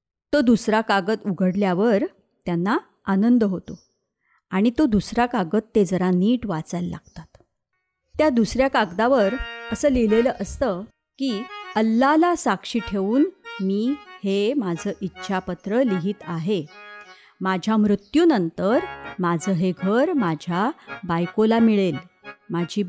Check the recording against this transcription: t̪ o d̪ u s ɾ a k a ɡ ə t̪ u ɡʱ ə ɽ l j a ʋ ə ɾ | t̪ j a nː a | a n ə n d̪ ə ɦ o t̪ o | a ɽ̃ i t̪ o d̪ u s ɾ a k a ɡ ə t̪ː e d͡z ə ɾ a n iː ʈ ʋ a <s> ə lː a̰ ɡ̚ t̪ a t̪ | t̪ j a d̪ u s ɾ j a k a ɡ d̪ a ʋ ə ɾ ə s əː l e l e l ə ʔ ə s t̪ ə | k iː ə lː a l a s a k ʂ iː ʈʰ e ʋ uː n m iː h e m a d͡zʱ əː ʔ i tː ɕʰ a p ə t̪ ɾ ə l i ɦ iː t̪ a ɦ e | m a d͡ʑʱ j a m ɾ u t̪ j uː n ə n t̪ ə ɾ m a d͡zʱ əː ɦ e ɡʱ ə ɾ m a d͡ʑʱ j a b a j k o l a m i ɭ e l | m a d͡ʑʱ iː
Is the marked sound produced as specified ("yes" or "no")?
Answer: no